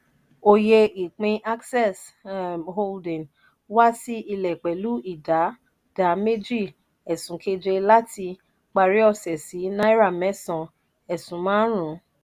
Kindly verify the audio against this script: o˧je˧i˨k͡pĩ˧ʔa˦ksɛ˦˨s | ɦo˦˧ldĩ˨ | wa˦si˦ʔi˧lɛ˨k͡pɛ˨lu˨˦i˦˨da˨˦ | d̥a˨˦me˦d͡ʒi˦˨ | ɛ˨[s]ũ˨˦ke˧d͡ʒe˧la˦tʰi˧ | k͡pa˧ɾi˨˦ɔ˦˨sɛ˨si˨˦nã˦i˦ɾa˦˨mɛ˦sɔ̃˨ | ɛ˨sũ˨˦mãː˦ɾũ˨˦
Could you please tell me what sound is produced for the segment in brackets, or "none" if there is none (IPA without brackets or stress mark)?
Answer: s